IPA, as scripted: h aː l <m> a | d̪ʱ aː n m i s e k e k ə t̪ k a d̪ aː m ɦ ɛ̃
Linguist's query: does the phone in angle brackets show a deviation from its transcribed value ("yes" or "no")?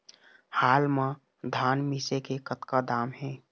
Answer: no